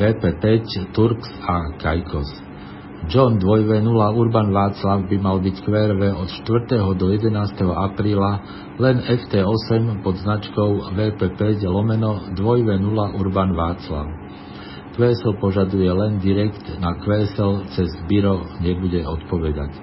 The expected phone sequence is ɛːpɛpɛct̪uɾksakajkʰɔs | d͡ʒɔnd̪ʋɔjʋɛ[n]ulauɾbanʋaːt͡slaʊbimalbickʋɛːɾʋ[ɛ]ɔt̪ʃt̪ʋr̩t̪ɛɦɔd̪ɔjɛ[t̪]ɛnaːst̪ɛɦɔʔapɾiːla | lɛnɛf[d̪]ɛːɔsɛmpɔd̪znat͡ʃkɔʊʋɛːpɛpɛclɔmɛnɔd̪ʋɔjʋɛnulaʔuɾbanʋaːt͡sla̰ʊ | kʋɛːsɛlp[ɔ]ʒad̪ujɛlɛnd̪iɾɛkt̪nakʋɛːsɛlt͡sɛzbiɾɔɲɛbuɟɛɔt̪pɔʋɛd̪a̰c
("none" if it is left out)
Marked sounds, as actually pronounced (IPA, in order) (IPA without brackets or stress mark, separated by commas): n, ɛ, d̪, t̪, ɔ